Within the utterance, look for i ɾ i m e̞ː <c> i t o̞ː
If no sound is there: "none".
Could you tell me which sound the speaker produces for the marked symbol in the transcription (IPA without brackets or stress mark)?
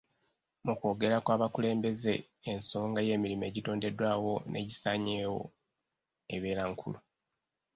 ɟ